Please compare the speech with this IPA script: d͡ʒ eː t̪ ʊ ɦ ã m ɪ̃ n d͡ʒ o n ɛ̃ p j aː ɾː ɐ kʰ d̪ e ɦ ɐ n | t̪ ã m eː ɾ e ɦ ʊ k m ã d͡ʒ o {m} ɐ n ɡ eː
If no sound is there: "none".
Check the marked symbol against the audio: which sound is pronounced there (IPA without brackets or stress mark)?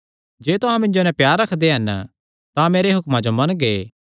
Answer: m